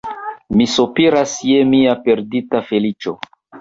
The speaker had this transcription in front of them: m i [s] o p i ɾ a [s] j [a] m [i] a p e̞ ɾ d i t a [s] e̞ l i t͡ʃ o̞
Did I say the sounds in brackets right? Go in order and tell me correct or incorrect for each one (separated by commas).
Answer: correct, correct, incorrect, correct, incorrect